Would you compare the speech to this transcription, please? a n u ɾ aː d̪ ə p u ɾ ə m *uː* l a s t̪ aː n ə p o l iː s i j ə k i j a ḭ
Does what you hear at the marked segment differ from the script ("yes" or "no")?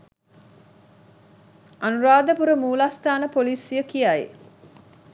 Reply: no